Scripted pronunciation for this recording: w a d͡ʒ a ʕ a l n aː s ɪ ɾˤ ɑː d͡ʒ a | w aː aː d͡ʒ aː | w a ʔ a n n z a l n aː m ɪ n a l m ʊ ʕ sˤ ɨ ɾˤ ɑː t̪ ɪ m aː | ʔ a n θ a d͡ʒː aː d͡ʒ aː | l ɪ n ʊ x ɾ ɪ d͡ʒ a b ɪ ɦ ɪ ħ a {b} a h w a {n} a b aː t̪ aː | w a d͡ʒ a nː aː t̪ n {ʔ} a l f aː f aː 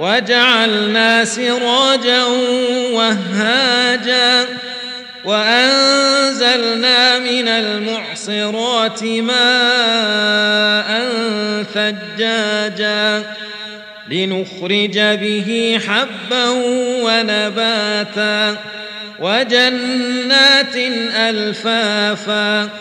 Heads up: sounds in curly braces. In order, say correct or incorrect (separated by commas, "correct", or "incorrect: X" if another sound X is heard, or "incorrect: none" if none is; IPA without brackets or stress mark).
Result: incorrect: bː, correct, correct